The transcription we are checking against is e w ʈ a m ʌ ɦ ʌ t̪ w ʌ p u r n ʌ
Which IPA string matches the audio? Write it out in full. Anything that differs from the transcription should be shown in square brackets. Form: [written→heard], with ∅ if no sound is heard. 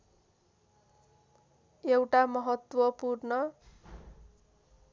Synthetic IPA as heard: e w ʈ a m ʌ ɦ ʌ t̪ w ʌ p u r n ʌ